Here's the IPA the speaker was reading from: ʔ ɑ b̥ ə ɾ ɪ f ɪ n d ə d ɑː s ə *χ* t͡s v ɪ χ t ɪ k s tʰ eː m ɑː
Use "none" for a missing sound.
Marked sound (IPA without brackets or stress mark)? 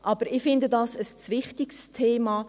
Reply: s